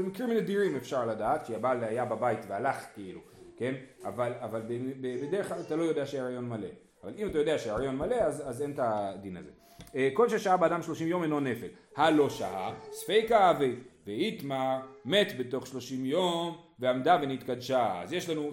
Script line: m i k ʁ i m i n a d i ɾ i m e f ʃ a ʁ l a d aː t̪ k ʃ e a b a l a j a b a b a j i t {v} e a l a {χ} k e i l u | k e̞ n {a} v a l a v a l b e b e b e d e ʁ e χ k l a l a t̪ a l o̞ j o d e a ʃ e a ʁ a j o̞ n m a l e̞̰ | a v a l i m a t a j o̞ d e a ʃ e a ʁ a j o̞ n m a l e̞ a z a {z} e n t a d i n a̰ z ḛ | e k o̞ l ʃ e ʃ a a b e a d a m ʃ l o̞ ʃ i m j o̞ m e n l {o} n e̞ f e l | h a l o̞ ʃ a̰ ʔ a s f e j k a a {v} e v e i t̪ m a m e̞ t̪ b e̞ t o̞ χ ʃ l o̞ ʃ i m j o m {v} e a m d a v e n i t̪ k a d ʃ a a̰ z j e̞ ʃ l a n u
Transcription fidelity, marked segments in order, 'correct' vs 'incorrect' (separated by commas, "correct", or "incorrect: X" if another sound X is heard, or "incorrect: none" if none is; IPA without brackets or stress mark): correct, correct, correct, correct, correct, correct, correct